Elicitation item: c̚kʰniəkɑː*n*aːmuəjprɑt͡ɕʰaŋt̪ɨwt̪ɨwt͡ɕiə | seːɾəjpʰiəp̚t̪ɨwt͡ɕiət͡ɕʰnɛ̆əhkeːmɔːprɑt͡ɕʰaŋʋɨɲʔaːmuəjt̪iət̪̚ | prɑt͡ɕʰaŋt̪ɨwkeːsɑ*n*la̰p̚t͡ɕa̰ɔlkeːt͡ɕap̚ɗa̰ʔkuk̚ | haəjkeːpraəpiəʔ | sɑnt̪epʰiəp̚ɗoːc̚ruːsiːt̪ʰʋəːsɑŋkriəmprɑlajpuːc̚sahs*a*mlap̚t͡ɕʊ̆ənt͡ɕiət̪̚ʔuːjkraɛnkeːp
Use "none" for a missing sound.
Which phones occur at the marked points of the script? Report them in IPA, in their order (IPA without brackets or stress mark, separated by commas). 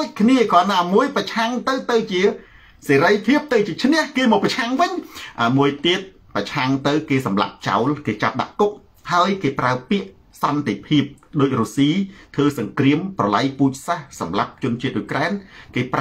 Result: n, m, ɑ